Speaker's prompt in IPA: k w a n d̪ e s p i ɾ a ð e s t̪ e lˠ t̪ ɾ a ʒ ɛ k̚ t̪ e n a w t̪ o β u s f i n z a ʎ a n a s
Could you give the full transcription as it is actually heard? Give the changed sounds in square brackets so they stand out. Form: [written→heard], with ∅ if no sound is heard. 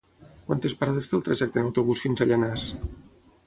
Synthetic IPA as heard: k w a n [d̪→t̪] e s p [i→a] ɾ a ð e s t̪ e lˠ t̪ ɾ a ʒ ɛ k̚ t̪ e n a w t̪ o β u s f i n z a ʎ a n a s

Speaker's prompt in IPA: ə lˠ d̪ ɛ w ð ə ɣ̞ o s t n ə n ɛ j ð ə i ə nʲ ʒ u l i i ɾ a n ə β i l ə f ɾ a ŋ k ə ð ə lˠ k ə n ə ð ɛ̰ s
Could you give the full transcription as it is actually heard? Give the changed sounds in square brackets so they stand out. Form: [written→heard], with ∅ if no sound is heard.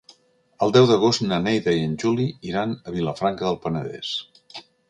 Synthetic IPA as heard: ə lˠ d̪ ɛ w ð ə ɣ̞ o s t n ə n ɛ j ð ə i ə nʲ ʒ u l i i ɾ a n ə β i l ə f ɾ a ŋ k ə ð ə lˠ [k→p] ə n ə ð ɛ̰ s

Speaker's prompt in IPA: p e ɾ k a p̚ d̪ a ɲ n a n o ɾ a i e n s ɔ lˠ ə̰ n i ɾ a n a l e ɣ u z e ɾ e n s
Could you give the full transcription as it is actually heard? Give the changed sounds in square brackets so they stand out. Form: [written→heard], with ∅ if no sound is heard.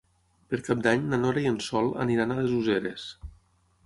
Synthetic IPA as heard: p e ɾ k a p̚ d̪ a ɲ n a n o ɾ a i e n s ɔ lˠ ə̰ n i ɾ a n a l e [ɣ→z] u z e ɾ e [n→∅] s

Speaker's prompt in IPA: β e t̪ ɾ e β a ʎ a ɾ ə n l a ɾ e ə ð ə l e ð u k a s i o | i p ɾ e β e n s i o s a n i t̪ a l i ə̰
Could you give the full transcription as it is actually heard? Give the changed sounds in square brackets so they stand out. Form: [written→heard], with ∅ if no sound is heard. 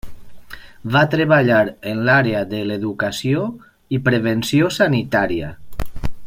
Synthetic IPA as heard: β [e→a] t̪ ɾ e β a ʎ a ɾ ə n l a ɾ e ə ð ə l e ð u k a s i o | i p ɾ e β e n s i o s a n i t̪ a [l→ɾ] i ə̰

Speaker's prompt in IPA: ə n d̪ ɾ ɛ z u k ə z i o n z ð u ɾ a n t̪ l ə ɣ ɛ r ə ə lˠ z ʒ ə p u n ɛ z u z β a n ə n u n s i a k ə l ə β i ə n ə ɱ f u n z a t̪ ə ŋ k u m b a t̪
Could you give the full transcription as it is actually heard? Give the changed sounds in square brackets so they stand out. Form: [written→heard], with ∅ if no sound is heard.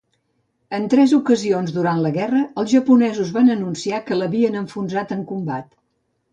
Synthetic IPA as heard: ə n [d̪→t̪] ɾ ɛ z u k ə z i o n z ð u ɾ a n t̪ l ə ɣ ɛ r ə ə lˠ z ʒ ə p u n ɛ z u z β a n ə n u n s i a k ə l ə β i ə n ə ɱ f u n z a t̪ ə ŋ k u m b a t̪

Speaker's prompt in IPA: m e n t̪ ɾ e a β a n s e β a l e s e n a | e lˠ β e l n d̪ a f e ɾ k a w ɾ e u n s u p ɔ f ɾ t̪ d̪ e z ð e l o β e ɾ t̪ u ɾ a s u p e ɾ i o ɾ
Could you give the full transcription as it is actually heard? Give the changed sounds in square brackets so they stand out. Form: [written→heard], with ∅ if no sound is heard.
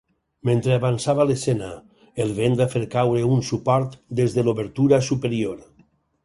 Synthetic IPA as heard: m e n t̪ ɾ e a β a n s [e→a] β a l e s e n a | e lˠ β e [l→∅] n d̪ a f e ɾ k a w ɾ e u n s u p ɔ [f→∅] ɾ t̪ d̪ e z ð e l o β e ɾ t̪ u ɾ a s u p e ɾ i o ɾ

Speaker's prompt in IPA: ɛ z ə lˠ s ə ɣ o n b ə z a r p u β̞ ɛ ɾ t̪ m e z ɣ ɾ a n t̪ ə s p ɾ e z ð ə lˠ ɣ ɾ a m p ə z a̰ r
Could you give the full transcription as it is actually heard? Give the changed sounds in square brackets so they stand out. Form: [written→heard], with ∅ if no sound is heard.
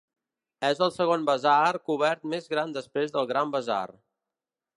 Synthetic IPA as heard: ɛ z ə lˠ s ə ɣ o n b ə z a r [p→k] u β̞ ɛ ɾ t̪ m e z ɣ ɾ a n [t̪→d̪] ə s p ɾ e z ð ə lˠ ɣ ɾ a m [p→b] ə z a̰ r

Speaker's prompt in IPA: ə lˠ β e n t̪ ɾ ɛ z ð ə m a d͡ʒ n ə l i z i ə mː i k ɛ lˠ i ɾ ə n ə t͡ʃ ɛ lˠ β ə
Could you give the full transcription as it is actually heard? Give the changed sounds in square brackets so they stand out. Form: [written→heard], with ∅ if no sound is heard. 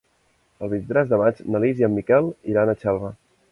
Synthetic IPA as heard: ə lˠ β [e→i] n t̪ ɾ ɛ z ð ə m a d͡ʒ n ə l i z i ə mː i k ɛ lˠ i ɾ [ə→a] n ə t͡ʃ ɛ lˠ β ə

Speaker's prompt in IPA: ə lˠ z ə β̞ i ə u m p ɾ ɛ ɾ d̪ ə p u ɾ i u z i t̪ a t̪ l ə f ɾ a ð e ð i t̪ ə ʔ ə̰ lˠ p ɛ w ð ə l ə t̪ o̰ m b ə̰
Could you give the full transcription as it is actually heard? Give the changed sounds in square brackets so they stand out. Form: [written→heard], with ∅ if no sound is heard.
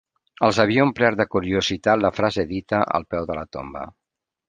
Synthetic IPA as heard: ə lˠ z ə β̞ i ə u m p ɾ ɛ ɾ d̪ ə [p→k] u ɾ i u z i t̪ a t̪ l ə f ɾ a [ð→z] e ð i t̪ ə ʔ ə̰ lˠ p ɛ w ð ə l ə t̪ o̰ m b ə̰

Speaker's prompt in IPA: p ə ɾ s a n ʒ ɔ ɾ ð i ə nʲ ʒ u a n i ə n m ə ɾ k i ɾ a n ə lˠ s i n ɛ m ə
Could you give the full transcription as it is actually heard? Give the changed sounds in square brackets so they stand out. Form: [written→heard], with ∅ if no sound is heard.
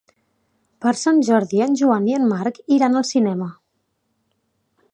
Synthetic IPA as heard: p ə ɾ s a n ʒ ɔ ɾ ð i ə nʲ ʒ u a n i ə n m [ə→a] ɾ k i ɾ a n ə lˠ s i n ɛ m ə

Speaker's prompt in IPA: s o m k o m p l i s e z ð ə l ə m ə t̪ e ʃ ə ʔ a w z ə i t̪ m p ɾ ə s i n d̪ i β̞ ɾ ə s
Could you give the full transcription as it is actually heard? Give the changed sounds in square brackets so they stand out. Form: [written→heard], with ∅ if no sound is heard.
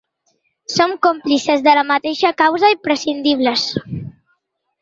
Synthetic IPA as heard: s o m k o m p l i s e z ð ə l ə m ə t̪ e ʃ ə [ʔ→k] a w z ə i [t̪→∅] m p ɾ ə s i n d̪ i β̞ [ɾ→l] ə s

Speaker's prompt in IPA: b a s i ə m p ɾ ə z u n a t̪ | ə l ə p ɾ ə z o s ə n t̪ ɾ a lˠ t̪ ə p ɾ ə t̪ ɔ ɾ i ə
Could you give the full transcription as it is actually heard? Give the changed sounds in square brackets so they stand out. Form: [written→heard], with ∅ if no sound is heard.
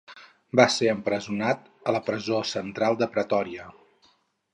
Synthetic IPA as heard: b a s [i→e] ə m p ɾ ə z u n a t̪ | ə l ə p ɾ ə z o s ə n t̪ ɾ a lˠ [t̪→d̪] ə p ɾ ə t̪ ɔ ɾ i ə

